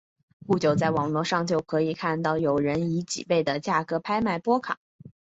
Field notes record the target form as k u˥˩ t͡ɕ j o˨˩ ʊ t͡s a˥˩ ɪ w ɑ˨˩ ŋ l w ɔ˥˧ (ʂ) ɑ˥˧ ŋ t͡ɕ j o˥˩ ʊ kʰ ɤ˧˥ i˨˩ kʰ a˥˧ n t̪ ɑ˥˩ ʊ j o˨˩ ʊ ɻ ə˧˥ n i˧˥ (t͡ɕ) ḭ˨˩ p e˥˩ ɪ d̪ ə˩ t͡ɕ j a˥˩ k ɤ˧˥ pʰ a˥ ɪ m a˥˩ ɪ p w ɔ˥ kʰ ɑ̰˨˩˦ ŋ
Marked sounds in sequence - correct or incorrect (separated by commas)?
correct, correct